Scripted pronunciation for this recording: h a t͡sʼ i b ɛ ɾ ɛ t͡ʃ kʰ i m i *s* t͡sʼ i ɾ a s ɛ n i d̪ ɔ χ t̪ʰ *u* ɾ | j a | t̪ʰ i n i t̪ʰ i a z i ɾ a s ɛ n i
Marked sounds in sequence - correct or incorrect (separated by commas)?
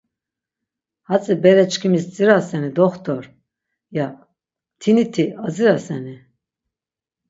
correct, incorrect